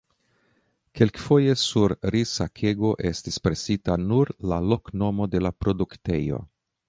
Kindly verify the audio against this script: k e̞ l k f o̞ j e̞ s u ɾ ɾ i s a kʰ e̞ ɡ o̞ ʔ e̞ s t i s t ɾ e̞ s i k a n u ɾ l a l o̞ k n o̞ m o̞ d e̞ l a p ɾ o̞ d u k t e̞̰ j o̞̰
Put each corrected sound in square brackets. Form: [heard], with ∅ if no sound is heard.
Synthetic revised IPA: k e̞ l k f o̞ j e̞ s u ɾ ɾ i s a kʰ e̞ ɡ o̞ ʔ e̞ s t i s [p] ɾ e̞ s i [t] a n u ɾ l a l o̞ k n o̞ m o̞ d e̞ l a p ɾ o̞ d u k t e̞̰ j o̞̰